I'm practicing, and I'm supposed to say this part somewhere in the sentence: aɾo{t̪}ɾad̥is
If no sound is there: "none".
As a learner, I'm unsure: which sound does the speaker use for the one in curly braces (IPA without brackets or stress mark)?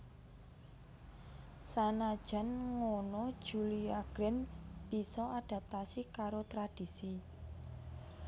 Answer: t̪